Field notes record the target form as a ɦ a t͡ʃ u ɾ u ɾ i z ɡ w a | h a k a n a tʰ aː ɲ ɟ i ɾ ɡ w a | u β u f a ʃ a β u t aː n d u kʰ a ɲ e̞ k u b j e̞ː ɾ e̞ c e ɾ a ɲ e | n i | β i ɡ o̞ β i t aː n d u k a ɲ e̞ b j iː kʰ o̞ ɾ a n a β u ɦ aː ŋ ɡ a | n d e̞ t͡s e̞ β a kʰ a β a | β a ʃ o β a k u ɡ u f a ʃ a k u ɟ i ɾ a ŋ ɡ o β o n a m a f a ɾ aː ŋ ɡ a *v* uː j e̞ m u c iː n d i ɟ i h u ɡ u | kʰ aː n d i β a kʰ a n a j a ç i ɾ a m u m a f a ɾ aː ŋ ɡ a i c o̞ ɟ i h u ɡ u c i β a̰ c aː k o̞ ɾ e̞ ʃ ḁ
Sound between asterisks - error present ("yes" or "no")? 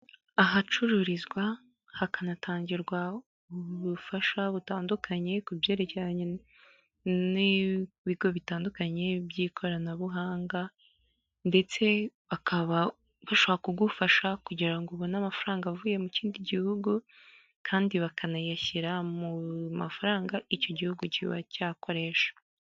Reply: no